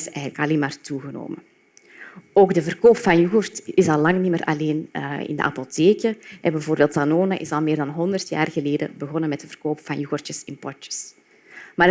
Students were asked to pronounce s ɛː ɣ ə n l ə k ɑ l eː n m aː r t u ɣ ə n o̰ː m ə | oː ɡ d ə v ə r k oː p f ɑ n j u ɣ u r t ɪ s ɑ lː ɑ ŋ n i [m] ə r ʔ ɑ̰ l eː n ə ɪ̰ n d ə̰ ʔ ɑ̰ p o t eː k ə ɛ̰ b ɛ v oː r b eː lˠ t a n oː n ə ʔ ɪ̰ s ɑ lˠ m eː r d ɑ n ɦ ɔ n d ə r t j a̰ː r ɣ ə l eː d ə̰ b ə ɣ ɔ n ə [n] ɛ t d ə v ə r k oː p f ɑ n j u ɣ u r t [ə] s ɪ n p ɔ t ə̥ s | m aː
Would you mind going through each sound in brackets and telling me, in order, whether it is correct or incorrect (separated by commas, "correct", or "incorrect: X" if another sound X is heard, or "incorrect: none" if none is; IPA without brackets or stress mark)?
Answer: correct, incorrect: m, correct